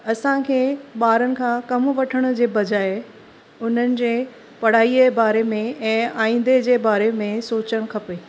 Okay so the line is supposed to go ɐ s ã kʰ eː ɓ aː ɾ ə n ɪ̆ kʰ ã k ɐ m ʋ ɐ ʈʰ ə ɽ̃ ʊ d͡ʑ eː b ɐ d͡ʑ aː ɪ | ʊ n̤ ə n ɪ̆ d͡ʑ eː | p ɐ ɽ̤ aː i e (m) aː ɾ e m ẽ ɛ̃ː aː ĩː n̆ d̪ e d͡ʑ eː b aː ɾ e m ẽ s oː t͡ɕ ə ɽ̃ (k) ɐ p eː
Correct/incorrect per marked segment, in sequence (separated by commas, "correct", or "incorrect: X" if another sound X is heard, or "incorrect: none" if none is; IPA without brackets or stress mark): incorrect: b, incorrect: kʰ